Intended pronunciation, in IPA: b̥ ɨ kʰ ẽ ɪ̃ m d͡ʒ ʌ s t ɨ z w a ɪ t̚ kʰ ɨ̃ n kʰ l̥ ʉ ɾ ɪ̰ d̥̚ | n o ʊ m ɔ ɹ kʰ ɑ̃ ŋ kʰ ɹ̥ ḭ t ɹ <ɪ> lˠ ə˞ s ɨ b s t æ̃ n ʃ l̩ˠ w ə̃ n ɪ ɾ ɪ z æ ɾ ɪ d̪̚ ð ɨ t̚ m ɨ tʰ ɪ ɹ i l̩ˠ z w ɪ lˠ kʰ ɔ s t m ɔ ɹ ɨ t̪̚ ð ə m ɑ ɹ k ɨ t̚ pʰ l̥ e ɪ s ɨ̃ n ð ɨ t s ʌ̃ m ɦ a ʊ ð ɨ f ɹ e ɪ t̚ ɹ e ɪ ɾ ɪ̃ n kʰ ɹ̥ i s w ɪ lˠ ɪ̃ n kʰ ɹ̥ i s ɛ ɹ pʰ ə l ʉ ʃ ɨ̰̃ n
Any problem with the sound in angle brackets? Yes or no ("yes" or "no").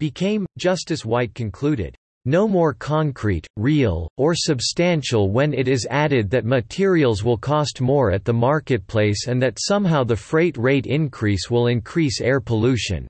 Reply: yes